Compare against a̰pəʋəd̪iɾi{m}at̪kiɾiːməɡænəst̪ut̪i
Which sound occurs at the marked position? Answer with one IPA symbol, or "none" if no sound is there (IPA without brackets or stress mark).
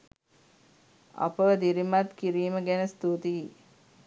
m